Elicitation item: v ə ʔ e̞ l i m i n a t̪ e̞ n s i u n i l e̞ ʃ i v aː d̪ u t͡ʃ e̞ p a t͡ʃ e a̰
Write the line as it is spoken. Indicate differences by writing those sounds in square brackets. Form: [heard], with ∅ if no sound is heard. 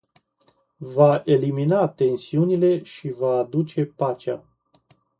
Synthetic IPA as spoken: v [a] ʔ e̞ l i m i n a t̪ e̞ n s i u n i l e̞ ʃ i v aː d̪ u t͡ʃ e̞ p a t͡ʃ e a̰